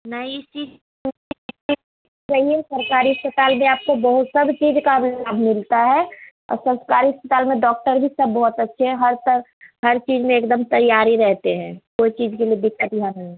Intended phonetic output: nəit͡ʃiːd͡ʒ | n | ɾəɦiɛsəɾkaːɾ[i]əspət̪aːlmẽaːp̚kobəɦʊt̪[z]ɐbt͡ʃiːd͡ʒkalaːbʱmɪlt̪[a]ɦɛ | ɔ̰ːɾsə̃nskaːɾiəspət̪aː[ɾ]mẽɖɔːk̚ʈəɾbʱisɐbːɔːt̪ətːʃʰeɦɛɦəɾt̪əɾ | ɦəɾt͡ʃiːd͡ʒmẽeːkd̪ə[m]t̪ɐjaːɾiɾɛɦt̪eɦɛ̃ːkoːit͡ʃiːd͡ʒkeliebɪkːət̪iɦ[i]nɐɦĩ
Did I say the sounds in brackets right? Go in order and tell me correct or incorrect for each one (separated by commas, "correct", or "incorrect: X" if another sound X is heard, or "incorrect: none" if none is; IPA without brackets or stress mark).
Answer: correct, incorrect: s, correct, incorrect: l, correct, incorrect: a